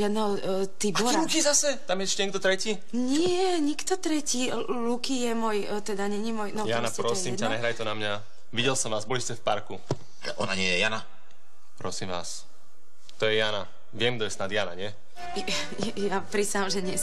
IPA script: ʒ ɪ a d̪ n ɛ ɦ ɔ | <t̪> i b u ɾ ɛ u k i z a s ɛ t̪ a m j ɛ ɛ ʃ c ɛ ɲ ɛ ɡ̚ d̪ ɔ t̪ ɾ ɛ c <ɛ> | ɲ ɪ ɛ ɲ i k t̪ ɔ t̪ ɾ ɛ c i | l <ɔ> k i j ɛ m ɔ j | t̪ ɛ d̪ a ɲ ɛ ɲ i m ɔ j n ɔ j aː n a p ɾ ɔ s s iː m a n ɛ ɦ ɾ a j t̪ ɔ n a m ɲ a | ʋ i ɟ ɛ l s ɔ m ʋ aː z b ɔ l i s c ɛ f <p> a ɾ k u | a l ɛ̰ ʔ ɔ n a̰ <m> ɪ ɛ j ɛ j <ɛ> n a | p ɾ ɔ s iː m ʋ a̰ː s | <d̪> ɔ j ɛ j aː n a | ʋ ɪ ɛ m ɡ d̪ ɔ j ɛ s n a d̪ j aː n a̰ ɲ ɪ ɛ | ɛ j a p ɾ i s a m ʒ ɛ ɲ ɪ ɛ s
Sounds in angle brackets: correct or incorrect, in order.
correct, incorrect, incorrect, correct, incorrect, incorrect, incorrect

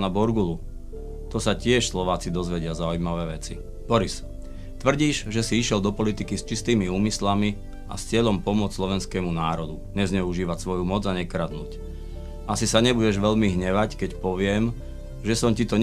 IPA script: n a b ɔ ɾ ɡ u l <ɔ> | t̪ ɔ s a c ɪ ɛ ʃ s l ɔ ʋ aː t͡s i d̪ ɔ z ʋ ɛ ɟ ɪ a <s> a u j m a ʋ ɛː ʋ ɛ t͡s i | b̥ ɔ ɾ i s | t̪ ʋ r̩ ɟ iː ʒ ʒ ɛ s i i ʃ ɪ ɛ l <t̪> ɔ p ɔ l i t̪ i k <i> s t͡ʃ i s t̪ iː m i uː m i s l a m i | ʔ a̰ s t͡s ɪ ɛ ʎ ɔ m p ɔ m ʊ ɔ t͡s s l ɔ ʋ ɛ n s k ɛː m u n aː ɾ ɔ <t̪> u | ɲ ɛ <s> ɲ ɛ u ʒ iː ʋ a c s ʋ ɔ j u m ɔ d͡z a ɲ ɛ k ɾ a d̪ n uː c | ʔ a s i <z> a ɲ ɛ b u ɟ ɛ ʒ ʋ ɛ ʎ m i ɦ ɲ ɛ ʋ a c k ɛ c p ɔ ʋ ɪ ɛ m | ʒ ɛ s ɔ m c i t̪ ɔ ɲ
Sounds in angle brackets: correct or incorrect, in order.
incorrect, incorrect, incorrect, correct, incorrect, incorrect, incorrect

